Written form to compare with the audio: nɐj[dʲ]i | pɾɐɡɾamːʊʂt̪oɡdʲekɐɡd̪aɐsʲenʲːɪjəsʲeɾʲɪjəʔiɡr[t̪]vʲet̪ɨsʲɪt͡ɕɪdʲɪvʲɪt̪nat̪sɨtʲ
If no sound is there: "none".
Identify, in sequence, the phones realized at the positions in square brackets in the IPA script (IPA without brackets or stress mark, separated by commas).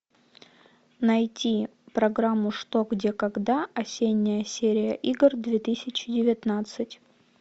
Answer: tʲ, d̪